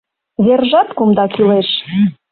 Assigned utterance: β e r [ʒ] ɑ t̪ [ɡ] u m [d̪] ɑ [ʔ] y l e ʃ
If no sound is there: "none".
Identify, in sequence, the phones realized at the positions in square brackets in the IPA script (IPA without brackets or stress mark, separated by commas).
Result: ʒ, k, d̪, k